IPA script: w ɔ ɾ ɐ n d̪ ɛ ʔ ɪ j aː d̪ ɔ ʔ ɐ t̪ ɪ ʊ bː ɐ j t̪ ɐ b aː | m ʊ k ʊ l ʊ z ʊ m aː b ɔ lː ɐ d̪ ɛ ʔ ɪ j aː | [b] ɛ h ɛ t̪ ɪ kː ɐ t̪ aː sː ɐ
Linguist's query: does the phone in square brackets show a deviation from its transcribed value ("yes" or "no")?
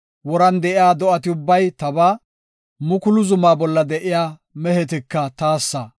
yes